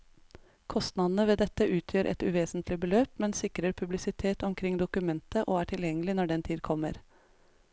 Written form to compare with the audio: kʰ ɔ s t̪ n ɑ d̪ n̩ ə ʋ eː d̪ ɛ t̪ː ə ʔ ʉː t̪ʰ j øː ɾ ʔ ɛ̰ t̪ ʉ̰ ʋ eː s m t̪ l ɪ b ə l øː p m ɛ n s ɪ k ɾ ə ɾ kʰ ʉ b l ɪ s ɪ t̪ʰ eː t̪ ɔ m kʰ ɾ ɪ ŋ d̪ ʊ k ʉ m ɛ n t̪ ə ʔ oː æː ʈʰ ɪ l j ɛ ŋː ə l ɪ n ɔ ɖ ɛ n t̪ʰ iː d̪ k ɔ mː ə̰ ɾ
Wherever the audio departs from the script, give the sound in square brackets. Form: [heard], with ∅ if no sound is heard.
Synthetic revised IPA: kʰ ɔ s t̪ n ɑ d̪ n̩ ə ʋ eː d̪ ɛ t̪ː ə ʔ ʉː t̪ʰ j øː ɾ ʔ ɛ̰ t̪ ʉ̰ ʋ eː s [n] t̪ l ɪ b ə l øː p m ɛ n s ɪ k ɾ ə ɾ [pʰ] ʉ b l ɪ s ɪ t̪ʰ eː t̪ ɔ m kʰ ɾ ɪ ŋ d̪ ʊ k ʉ m ɛ n t̪ ə ʔ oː æː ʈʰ ɪ l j ɛ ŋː ə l ɪ n ɔ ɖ ɛ n t̪ʰ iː d̪ [kʰ] ɔ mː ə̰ ɾ

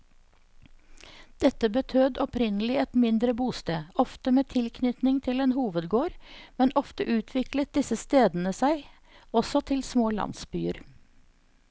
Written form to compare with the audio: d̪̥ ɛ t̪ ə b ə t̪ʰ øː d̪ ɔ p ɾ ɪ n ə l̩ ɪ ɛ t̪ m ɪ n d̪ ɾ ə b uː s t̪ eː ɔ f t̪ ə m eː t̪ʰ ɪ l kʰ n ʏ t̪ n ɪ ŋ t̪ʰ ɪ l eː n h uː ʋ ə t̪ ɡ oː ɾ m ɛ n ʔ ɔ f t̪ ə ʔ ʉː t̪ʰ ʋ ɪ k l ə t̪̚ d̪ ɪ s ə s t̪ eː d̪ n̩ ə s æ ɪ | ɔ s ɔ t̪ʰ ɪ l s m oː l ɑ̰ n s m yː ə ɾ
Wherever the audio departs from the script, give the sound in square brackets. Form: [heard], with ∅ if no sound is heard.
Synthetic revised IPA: d̪̥ ɛ t̪ ə b ə t̪ʰ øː d̪ ɔ p ɾ ɪ n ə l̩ ɪ ɛ t̪ m ɪ n d̪ ɾ ə b uː s t̪ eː ɔ f t̪ ə m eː t̪ʰ ɪ l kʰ n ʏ t̪ n ɪ ŋ t̪ʰ ɪ l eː n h uː ʋ ə [d̪] ɡ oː ɾ m ɛ n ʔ ɔ f t̪ ə ʔ ʉː t̪ʰ ʋ ɪ k l ə t̪̚ d̪ ɪ s ə s t̪ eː d̪ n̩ ə s æ ɪ | ɔ s ɔ t̪ʰ ɪ l s m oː l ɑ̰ n s [b] yː ə ɾ

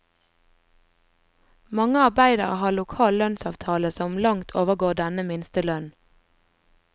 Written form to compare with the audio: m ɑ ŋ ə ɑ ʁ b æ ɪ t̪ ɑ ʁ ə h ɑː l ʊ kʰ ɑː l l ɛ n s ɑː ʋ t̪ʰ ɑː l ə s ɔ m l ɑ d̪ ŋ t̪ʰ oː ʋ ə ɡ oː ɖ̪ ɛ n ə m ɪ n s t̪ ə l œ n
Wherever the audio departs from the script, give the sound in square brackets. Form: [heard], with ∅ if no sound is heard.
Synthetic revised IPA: m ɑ ŋ ə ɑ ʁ b æ ɪ [d̪] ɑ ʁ ə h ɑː l ʊ kʰ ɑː l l [œ] n s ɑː ʋ t̪ʰ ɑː l ə s ɔ m l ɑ [∅] ŋ t̪ʰ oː ʋ ə ɡ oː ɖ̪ ɛ n ə m ɪ n s t̪ ə l œ n

